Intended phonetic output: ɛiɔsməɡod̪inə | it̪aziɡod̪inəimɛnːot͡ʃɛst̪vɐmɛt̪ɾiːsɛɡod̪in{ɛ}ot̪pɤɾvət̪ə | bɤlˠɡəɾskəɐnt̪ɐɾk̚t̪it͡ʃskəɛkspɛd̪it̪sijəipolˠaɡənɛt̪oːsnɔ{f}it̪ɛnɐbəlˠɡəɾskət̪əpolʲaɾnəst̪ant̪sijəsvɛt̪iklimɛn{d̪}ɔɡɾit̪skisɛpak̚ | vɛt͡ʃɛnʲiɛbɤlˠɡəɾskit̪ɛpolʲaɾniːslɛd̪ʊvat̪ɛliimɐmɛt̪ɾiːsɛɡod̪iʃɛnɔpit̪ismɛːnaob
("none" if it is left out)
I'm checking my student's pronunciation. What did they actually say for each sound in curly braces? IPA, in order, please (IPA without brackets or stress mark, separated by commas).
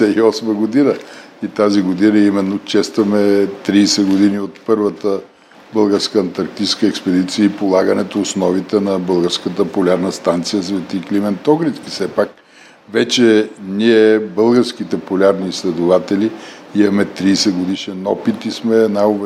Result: i, v, t̪